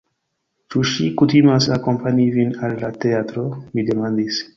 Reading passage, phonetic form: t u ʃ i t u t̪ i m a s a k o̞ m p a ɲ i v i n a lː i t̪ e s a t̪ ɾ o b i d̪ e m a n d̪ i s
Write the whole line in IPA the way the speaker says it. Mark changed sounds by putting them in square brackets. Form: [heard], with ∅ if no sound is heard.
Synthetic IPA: [t͡ʃ] u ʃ i [k] u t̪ i m a s a k o̞ m p a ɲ i v i n a lː [a] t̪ e [∅] a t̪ ɾ o [m] i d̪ e m a n d̪ i s